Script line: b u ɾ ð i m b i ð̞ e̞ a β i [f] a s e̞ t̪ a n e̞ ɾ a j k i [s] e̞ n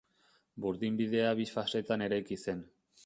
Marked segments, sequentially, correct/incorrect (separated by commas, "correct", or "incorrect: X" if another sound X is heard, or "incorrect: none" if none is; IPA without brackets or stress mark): correct, correct